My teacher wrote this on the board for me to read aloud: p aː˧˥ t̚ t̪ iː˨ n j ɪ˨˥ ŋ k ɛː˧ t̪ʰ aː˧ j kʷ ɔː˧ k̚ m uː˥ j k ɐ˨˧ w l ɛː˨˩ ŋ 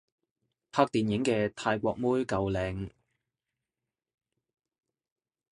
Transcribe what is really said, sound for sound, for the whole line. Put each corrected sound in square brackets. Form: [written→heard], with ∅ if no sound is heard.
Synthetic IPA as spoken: [p→pʰ] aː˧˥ [t̚→k̚] t̪ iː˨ n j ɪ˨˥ ŋ k ɛː˧ t̪ʰ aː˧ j kʷ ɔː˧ k̚ m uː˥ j k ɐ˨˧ w l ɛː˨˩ ŋ